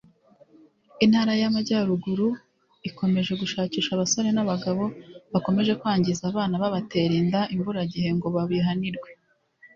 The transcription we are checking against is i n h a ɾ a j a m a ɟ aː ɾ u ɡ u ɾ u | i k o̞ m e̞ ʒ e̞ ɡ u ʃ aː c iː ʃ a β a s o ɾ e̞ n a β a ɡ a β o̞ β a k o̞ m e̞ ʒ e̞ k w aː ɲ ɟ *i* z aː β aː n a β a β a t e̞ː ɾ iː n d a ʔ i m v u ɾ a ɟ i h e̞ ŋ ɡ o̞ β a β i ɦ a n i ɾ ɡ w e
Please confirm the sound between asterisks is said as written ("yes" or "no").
yes